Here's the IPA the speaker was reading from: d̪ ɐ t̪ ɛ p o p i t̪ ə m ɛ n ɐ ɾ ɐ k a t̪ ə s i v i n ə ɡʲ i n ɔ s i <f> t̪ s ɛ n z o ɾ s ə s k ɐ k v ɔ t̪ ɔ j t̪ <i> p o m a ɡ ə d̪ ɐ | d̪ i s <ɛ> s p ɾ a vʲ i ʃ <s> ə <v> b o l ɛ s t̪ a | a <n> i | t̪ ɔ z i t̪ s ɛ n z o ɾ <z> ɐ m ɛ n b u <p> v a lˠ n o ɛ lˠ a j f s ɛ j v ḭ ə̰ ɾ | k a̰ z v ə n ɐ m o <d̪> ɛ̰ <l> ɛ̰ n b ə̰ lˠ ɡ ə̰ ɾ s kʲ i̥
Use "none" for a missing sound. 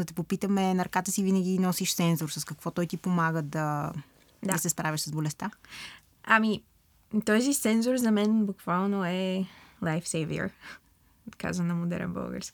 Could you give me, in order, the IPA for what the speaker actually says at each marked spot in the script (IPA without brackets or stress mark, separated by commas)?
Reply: ʃ, i, ɛ, s, z, m, z, k, d̪, ɾ